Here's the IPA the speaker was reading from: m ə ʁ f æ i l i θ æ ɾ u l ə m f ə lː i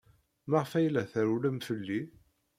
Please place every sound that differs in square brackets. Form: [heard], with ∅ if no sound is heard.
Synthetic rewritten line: m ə ʁ f æ [j] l [æ] θ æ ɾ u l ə m f ə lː i